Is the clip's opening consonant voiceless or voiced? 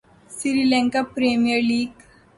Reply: voiceless